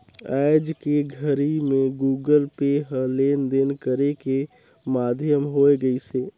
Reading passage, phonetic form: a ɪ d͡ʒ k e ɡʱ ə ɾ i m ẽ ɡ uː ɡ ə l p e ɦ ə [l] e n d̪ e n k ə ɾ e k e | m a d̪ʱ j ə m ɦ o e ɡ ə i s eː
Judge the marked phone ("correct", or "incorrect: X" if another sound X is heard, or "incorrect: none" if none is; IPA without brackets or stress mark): correct